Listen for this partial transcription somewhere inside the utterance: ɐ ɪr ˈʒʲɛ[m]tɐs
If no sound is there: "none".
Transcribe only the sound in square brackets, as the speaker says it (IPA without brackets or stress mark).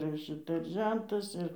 n